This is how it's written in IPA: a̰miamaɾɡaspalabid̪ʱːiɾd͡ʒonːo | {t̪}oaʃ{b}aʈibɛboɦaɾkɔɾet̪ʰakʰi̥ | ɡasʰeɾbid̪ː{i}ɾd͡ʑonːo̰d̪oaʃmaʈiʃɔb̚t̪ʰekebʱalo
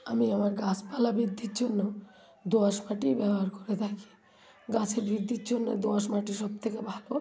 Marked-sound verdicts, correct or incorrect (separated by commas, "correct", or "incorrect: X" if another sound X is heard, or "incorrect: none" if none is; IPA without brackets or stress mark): incorrect: d̪, incorrect: m, correct